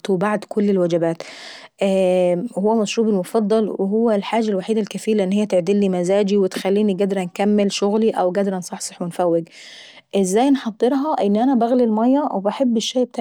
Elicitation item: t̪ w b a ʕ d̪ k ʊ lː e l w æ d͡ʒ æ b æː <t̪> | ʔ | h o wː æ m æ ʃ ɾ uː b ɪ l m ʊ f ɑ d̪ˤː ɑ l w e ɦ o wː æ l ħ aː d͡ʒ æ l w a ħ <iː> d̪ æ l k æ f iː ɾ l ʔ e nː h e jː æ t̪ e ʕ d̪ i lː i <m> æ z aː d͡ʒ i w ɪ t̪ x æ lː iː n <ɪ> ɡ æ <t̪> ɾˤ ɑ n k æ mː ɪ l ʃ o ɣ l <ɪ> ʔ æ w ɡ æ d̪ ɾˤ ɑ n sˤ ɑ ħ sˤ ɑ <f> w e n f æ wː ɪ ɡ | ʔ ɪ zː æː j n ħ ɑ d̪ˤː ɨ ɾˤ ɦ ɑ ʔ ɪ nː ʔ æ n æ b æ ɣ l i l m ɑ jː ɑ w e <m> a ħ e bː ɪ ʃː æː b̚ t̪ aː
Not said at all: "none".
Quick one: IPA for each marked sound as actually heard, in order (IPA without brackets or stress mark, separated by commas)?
t̪, iː, m, i, d̪, i, ħ, b